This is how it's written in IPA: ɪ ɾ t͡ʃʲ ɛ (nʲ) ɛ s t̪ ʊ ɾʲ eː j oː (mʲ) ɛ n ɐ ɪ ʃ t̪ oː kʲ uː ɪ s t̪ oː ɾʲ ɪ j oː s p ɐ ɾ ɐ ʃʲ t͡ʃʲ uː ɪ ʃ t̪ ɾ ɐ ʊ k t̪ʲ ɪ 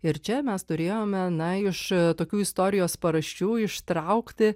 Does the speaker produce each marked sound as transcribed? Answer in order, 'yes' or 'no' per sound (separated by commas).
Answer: no, yes